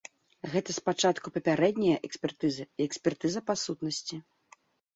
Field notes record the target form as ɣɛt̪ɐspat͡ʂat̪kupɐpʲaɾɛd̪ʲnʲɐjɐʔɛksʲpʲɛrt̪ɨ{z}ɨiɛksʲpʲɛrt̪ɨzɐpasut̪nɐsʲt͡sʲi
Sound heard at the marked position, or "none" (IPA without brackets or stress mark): z